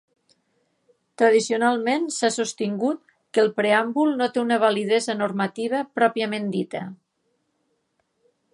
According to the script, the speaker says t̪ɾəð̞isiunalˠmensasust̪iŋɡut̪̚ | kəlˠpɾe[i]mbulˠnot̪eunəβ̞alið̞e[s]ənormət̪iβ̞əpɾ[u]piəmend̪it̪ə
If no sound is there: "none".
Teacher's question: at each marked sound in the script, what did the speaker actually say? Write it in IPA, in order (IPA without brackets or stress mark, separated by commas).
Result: a, z, ɔ